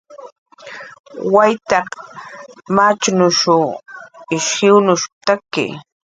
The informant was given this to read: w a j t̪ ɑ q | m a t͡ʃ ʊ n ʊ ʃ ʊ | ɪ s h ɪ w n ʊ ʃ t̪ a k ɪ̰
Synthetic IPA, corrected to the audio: w a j t̪ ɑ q | m a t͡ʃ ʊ n ʊ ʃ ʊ | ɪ ʃ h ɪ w n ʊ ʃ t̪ a k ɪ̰